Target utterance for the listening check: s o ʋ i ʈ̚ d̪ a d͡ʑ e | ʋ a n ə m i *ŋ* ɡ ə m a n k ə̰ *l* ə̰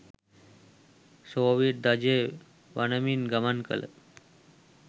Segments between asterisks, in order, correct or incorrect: incorrect, correct

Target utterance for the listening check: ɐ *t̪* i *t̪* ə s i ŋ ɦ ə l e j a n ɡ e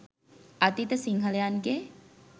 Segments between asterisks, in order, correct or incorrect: correct, correct

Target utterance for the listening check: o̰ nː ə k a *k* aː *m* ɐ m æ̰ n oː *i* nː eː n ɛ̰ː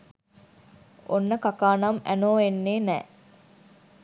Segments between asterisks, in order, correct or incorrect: correct, incorrect, incorrect

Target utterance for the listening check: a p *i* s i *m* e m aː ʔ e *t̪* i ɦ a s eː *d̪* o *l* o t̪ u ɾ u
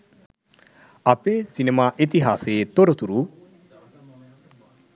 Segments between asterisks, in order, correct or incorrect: incorrect, incorrect, correct, incorrect, incorrect

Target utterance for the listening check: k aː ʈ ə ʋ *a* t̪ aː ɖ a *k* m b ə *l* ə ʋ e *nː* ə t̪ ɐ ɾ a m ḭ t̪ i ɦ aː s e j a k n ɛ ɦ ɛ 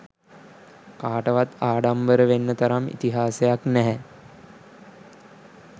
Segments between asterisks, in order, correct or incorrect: correct, incorrect, incorrect, correct

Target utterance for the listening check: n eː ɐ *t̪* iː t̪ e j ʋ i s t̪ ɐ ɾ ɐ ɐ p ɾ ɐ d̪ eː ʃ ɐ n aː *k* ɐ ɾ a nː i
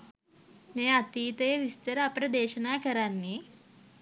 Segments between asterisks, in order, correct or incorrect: correct, correct

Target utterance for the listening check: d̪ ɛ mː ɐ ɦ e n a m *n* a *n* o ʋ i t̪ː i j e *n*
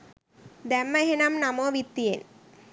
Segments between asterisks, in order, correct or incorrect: correct, incorrect, correct

